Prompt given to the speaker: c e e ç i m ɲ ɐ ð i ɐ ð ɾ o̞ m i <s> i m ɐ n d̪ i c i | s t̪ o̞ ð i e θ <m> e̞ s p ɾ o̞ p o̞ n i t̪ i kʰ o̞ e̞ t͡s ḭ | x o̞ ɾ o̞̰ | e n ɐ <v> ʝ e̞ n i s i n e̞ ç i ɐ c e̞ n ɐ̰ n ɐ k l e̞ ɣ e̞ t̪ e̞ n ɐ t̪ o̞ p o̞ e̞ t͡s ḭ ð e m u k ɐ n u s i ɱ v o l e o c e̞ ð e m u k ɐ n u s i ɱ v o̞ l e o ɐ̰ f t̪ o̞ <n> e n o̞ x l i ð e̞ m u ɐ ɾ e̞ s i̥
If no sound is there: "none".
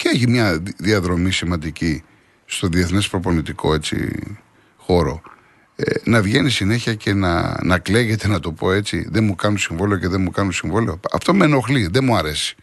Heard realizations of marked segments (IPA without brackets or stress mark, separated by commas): s, n, v, m